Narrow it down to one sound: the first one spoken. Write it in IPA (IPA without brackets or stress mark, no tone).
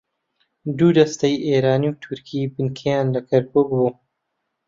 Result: d̪